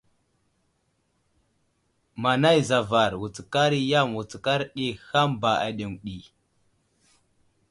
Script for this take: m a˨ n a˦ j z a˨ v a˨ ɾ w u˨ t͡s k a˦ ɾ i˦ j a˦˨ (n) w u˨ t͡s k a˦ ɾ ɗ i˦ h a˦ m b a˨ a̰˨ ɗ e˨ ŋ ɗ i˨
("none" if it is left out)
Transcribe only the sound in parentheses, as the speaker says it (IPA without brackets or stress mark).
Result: m